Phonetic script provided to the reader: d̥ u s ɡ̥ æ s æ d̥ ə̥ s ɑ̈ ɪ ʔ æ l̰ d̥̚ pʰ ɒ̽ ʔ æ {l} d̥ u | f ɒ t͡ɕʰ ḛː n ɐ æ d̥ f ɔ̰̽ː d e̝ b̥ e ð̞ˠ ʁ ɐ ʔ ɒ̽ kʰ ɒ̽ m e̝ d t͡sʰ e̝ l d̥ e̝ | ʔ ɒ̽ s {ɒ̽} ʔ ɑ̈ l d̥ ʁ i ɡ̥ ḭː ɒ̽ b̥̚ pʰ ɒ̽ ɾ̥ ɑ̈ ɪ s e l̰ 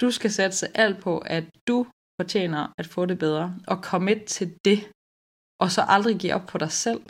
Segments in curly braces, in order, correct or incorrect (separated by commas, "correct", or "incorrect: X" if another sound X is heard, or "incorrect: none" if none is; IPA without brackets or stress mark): incorrect: none, correct